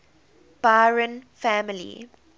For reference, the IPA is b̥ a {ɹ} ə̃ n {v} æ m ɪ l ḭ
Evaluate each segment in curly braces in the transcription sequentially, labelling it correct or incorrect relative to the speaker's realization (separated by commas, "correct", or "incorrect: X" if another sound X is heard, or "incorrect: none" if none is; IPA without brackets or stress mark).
correct, incorrect: f